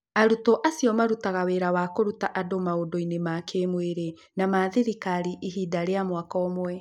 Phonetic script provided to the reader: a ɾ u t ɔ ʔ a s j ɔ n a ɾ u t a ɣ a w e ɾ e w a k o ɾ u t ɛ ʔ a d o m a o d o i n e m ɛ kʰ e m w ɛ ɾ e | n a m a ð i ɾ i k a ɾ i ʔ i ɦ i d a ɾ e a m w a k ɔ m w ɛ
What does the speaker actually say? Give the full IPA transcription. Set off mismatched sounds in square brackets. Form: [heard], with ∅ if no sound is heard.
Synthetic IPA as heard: a ɾ u t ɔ ʔ a s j ɔ [m] a ɾ u t a ɣ a w e ɾ [a] w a k o ɾ u t [a] ʔ a d o m a o d o i n e m [a] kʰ e m w [e] ɾ e | n a m a ð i ɾ i k a ɾ i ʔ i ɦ i d a ɾ e a m w a k ɔ m w ɛ